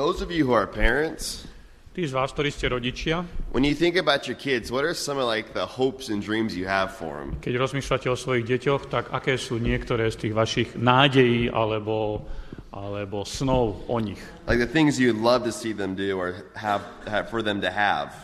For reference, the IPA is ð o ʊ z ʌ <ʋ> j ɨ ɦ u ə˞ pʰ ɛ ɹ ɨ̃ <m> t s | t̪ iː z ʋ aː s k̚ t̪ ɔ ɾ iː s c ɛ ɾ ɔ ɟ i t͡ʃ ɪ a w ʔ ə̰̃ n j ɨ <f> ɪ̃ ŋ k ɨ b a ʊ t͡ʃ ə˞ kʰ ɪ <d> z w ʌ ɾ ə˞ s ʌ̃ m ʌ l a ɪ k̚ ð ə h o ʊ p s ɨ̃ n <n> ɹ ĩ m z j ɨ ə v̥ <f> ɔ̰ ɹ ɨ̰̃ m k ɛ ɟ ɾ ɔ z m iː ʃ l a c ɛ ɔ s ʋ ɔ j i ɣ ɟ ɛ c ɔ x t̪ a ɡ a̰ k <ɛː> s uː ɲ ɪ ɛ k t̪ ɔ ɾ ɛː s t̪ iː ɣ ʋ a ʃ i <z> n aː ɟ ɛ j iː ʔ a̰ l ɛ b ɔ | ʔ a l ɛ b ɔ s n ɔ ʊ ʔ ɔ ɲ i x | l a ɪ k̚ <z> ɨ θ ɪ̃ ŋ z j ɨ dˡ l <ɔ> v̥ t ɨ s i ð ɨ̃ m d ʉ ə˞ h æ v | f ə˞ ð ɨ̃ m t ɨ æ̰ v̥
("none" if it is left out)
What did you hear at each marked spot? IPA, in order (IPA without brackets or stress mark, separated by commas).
v, n, θ, d, d, f, ɛː, ɣ, ð, ʌ